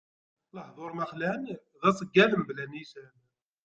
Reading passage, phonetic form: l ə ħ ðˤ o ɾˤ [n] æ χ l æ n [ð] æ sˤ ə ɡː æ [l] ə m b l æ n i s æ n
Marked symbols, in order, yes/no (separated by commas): no, yes, yes